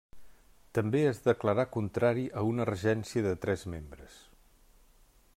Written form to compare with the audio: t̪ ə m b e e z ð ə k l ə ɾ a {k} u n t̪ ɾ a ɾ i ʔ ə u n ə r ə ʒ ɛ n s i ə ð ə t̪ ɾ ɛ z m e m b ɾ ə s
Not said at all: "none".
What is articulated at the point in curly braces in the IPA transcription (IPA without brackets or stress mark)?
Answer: k